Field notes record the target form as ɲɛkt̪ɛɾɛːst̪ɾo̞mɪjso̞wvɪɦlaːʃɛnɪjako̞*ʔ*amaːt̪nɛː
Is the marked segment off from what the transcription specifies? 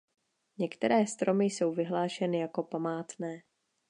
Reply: yes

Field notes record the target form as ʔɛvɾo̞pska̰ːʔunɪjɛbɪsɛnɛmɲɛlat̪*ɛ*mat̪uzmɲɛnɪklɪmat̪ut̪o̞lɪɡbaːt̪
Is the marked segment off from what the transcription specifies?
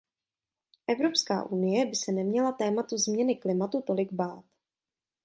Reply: yes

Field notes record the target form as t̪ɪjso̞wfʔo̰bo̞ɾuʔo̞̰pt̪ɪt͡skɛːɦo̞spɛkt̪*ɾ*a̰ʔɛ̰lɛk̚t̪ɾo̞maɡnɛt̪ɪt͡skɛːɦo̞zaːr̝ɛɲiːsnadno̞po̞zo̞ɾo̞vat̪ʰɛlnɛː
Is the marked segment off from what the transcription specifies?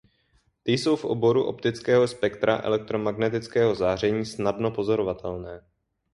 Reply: no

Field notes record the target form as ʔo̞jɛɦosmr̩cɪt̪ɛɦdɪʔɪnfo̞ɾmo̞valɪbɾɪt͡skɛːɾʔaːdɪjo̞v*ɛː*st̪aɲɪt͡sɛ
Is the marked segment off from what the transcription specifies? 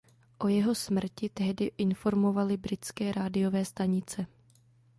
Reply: no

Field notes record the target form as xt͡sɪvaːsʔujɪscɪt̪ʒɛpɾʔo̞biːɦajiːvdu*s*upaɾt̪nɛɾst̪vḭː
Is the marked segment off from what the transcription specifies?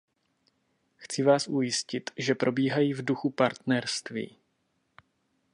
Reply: yes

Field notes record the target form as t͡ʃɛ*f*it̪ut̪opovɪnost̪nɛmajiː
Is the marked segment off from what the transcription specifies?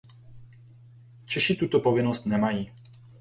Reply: yes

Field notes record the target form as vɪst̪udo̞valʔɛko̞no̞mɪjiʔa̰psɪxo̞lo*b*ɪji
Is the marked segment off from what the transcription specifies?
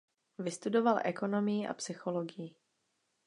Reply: yes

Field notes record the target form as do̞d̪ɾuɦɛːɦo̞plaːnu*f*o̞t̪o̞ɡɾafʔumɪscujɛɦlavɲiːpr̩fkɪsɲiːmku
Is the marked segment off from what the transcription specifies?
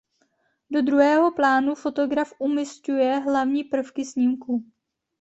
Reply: no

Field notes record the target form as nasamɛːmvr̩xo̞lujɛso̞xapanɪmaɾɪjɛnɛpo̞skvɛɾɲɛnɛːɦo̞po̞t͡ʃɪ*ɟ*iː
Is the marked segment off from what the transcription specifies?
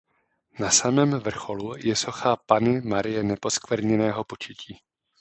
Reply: yes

